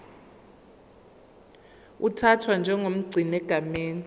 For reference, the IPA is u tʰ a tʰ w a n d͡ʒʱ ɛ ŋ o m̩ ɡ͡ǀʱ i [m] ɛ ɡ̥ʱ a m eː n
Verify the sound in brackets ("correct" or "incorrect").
incorrect